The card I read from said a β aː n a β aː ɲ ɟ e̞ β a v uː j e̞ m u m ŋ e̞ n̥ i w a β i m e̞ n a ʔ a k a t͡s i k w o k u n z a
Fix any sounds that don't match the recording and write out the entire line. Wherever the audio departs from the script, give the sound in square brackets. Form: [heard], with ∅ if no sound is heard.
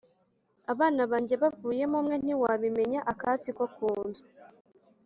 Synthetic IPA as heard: a β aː n a β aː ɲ ɟ e̞ β a v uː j e̞ m u m ŋ e̞ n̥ i w a β i m e̞ [ɲ] a ʔ a k a t͡s i k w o k [uː] n z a